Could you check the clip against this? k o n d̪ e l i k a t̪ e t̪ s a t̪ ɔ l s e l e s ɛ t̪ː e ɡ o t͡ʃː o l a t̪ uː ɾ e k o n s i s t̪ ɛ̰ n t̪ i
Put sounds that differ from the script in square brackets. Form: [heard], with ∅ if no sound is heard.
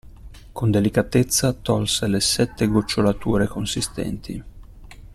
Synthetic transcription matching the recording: k o n d̪ e l i k a t̪ e t̪ [sː] a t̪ ɔ l s e l e s ɛ t̪ː e ɡ o t͡ʃː o l a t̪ uː ɾ e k o n s i s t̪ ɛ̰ n t̪ i